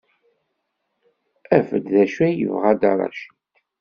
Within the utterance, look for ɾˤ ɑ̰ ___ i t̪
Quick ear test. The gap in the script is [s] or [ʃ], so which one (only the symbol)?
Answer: ʃ